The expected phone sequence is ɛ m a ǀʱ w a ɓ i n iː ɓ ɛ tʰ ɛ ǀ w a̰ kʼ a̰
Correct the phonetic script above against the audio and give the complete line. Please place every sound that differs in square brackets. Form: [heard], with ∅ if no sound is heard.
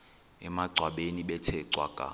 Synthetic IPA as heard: ɛ m a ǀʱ w a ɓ [e] n [i] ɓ ɛ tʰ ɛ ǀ w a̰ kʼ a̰